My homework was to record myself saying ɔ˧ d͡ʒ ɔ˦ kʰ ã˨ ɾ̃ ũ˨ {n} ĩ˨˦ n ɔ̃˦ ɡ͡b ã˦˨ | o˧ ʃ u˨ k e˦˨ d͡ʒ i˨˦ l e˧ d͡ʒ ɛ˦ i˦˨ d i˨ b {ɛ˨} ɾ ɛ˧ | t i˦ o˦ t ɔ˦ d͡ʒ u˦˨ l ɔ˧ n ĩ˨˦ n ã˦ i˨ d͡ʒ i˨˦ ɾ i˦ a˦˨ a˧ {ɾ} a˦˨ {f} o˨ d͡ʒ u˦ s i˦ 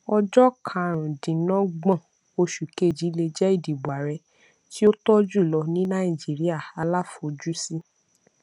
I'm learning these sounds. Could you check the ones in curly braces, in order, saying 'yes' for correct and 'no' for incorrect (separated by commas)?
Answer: no, no, no, yes